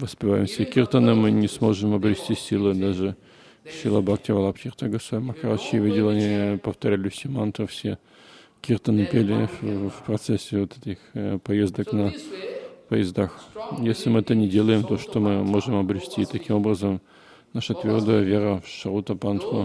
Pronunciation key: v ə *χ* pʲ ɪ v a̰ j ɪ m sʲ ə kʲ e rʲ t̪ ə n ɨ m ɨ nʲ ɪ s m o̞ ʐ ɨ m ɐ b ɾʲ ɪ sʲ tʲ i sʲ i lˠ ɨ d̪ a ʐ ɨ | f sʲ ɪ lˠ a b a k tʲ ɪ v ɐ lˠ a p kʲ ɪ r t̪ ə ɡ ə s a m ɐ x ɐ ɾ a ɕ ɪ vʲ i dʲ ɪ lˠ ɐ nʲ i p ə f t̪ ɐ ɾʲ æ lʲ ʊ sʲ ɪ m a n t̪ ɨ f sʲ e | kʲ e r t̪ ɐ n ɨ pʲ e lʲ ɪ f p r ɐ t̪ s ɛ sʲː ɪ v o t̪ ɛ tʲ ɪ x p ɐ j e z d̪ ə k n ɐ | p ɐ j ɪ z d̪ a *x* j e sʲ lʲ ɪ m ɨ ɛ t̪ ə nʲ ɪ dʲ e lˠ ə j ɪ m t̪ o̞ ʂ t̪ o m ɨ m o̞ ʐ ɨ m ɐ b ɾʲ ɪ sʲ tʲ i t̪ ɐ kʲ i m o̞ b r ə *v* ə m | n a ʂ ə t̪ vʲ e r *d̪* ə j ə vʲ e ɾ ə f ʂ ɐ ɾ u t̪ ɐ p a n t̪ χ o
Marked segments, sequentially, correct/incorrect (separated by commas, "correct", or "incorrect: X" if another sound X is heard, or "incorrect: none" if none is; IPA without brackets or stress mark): incorrect: s, correct, incorrect: z, correct